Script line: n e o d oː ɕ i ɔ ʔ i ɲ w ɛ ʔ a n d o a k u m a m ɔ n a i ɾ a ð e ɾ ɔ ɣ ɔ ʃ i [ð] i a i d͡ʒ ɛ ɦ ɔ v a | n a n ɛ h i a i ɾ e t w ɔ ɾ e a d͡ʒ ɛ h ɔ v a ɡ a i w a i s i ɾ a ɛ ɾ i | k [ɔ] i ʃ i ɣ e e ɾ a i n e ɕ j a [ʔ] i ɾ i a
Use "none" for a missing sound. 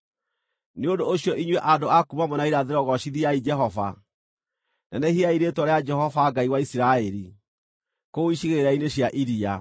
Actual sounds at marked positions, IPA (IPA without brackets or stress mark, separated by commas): ð, o, ʔ